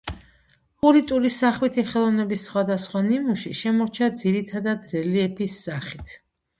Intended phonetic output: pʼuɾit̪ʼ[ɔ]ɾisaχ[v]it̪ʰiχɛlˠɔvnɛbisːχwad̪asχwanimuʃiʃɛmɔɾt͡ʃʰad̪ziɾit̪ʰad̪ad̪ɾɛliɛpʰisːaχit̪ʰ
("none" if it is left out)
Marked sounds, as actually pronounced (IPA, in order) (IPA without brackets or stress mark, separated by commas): u, w